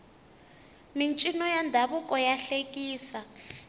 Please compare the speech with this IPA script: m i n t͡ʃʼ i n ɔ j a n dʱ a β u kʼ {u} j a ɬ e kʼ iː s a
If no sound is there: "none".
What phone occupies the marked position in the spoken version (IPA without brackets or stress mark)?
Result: ɔ